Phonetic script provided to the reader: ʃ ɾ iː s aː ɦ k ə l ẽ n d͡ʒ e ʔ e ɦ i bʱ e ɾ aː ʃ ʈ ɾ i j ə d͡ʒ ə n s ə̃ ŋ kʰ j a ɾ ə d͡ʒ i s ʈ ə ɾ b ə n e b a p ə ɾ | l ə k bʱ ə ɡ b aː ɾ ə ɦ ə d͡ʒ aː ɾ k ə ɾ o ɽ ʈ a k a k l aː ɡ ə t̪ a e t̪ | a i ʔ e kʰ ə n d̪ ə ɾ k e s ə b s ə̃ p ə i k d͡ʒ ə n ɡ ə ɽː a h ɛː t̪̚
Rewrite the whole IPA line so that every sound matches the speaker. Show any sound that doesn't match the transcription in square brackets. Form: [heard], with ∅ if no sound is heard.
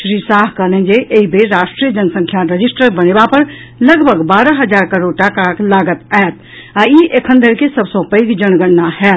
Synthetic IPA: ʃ ɾ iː s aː ɦ k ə l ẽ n d͡ʒ e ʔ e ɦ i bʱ e ɾ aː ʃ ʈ ɾ i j ə d͡ʒ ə n s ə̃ ŋ kʰ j a ɾ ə d͡ʒ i s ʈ ə ɾ b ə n e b a p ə ɾ | l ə [ɡ] bʱ ə ɡ b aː ɾ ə ɦ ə d͡ʒ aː ɾ k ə ɾ o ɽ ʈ a k a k l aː ɡ ə t̪ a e t̪ | a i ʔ e kʰ ə n d̪ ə ɾ k e s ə b s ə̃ p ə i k d͡ʒ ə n ɡ ə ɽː a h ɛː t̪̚